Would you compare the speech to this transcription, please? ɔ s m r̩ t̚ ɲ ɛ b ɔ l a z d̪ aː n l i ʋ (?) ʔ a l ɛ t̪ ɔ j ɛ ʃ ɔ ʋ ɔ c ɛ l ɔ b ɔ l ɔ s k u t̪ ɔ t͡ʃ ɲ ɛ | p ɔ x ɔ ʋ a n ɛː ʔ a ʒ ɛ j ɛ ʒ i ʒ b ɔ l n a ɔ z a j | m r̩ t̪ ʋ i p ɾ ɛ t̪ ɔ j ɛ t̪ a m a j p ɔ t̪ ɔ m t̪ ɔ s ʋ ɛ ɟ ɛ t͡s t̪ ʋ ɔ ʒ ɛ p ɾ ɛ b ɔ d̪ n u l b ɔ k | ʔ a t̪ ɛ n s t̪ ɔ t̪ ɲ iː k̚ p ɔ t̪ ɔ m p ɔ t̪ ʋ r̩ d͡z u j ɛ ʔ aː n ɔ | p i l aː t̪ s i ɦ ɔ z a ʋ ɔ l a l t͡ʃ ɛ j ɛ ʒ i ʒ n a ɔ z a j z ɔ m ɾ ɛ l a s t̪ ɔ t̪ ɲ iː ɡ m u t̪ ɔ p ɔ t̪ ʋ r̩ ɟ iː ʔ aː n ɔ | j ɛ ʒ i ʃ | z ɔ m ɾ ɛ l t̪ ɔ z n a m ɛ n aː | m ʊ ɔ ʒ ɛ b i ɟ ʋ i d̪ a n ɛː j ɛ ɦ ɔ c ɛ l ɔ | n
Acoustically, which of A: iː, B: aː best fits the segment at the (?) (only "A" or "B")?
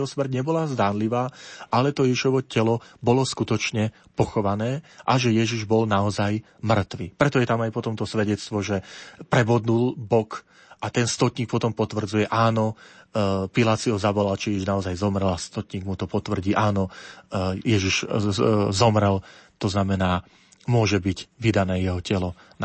B